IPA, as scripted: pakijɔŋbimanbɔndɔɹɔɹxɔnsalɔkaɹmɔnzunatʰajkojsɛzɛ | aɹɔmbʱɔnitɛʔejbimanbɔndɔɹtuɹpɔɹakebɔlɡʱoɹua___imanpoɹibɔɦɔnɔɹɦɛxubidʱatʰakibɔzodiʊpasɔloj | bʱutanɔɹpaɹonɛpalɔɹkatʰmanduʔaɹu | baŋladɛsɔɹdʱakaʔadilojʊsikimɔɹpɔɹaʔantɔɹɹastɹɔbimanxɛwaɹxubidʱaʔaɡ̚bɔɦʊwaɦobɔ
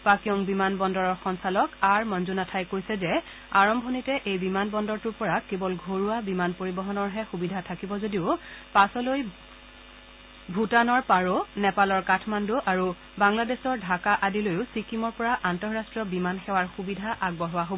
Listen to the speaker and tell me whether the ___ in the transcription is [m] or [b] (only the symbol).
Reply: b